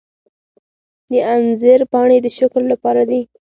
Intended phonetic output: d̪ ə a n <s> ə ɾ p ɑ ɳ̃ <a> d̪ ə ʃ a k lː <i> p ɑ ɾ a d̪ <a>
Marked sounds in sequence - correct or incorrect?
incorrect: z, incorrect: e, incorrect: a, incorrect: i

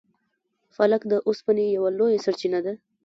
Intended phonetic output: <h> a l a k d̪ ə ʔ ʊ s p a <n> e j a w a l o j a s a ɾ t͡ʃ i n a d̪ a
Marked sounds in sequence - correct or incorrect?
incorrect: f, correct

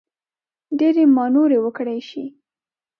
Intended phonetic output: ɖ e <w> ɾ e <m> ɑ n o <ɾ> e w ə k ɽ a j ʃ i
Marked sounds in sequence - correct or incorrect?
incorrect: none, correct, correct

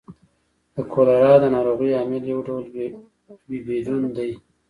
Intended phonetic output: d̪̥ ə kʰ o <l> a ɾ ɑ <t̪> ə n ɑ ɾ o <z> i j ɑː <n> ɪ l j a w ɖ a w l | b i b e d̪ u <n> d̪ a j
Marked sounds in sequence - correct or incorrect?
correct, incorrect: d̪, incorrect: ɣ, incorrect: m, correct

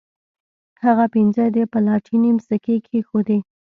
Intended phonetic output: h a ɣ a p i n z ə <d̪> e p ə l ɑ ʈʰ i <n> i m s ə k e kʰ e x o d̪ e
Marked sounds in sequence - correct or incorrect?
correct, correct

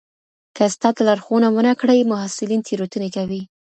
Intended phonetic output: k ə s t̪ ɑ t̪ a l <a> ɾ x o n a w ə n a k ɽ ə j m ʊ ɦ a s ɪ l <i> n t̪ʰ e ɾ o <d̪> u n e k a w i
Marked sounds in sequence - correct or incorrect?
correct, correct, incorrect: t̪

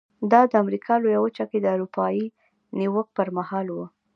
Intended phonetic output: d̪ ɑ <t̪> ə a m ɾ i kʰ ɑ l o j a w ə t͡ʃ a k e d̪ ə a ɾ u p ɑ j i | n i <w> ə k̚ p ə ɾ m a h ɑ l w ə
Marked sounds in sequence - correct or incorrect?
incorrect: d̪, correct

